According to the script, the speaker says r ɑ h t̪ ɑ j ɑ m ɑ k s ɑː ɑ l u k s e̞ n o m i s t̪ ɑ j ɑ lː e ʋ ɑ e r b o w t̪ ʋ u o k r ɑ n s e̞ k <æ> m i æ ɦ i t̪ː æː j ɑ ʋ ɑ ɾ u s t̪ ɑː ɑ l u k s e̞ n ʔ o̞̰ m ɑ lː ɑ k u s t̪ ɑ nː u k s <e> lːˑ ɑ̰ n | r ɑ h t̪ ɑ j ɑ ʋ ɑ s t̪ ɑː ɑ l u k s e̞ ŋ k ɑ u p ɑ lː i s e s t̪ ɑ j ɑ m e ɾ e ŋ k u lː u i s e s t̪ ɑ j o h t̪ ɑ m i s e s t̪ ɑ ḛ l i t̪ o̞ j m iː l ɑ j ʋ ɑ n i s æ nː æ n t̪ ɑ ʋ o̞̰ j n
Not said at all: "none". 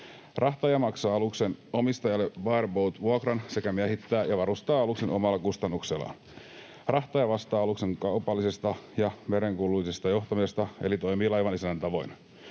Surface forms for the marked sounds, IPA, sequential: æ, e

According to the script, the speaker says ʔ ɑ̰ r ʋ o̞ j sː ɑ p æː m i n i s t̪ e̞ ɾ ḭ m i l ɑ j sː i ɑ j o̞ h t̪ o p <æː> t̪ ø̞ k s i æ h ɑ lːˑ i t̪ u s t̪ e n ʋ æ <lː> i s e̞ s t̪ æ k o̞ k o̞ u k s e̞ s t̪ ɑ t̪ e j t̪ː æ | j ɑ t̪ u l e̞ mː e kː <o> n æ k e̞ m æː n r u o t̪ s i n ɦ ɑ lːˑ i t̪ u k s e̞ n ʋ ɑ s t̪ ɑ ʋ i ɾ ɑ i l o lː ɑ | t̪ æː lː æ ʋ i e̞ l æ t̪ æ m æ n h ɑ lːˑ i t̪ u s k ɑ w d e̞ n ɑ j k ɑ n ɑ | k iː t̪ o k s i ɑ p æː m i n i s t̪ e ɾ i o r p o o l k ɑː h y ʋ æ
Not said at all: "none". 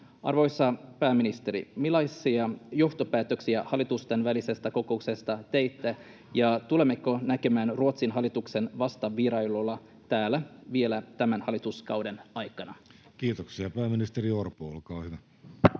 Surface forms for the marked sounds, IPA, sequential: æː, l, o

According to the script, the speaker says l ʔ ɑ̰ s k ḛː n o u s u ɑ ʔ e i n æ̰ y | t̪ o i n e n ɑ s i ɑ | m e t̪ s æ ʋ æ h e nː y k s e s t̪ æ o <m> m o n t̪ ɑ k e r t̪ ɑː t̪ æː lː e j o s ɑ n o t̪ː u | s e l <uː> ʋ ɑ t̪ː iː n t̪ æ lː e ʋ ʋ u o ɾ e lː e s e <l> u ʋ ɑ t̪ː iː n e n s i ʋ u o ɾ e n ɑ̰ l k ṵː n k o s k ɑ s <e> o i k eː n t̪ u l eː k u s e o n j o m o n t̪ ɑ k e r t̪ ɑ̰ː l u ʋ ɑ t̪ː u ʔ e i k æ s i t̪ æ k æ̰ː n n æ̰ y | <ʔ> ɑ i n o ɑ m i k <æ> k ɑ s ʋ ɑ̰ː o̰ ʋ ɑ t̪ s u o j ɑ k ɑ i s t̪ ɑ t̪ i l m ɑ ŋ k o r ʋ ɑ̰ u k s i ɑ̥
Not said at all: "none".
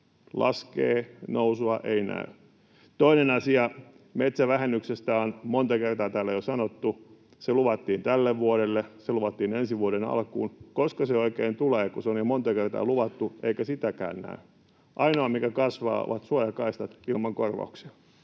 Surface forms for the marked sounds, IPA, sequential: n, u, l, e, ʔ, æ

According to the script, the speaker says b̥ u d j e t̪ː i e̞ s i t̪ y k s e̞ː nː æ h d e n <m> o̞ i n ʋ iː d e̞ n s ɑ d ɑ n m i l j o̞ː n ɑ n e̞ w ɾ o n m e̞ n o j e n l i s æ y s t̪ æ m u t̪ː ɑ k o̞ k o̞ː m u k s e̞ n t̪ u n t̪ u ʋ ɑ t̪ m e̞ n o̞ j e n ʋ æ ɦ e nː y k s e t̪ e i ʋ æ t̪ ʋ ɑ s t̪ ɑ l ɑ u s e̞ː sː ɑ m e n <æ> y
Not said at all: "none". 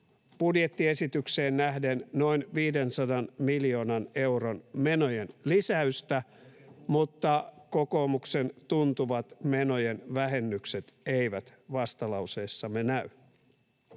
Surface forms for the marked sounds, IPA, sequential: n, æ

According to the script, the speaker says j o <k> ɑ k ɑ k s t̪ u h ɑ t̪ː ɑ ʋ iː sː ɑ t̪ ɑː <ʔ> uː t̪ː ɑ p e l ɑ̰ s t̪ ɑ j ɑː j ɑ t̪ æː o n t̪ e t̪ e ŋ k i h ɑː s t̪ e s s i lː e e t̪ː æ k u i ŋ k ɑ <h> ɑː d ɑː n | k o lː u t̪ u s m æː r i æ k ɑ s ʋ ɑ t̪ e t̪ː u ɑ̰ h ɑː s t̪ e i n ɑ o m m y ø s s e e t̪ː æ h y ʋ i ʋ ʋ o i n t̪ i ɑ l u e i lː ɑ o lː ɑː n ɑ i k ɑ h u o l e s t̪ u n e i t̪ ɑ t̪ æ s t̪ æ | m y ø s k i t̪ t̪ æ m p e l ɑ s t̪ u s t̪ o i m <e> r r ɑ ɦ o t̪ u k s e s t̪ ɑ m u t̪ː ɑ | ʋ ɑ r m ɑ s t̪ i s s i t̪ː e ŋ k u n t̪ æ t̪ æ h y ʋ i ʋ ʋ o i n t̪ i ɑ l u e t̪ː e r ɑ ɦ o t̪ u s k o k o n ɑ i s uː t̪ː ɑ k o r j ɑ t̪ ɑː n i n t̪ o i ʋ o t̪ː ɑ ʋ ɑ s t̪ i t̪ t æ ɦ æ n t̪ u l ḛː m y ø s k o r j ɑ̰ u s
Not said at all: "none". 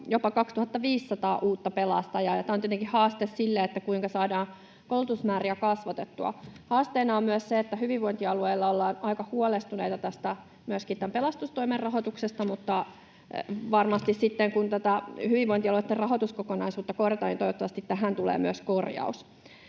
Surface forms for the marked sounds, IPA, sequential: p, ʔ, s, e

